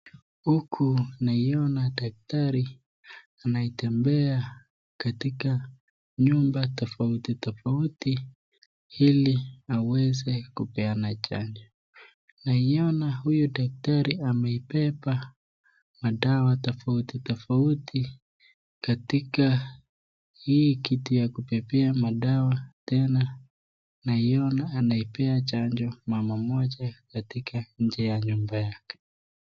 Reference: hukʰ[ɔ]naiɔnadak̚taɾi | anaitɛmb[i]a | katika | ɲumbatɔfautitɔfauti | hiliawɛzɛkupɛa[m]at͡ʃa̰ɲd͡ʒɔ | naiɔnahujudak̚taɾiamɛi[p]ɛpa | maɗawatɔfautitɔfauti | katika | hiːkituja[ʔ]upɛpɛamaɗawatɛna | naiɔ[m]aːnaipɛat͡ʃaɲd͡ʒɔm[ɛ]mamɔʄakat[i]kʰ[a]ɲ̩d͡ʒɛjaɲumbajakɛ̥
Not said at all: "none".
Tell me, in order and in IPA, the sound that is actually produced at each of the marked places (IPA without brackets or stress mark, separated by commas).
u, ɛ, n, p, k, n, a, i, a